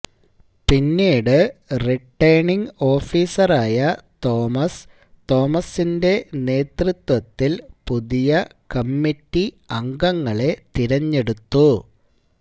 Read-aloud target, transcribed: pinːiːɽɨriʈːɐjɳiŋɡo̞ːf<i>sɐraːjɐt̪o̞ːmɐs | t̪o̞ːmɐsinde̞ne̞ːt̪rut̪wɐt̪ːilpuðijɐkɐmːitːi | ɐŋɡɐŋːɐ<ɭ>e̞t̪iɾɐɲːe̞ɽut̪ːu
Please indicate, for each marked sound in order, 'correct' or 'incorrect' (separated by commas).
incorrect, correct